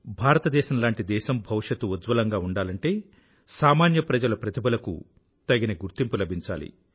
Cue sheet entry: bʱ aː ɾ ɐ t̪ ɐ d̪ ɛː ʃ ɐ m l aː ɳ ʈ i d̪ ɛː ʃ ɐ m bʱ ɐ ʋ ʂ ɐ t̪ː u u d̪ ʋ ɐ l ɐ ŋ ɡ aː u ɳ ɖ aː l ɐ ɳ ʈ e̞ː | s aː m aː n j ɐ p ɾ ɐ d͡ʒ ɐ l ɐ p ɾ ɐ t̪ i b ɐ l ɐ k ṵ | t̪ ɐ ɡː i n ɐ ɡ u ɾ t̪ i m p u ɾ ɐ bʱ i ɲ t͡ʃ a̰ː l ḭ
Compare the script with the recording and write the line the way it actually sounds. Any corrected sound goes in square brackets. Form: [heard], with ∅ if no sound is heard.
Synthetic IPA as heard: bʱ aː ɾ ɐ t̪ ɐ d̪ ɛː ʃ ɐ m l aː ɳ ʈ i d̪ ɛː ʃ ɐ m bʱ ɐ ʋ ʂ ɐ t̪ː u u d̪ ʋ ɐ l ɐ ŋ ɡ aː u ɳ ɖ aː l ɐ ɳ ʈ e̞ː | s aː m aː n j ɐ p ɾ ɐ d͡ʒ ɐ l ɐ p ɾ ɐ t̪ i b ɐ l ɐ k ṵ | t̪ ɐ [ɡ] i n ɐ ɡ u ɾ t̪ i m p u [l] ɐ bʱ i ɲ t͡ʃ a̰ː l ḭ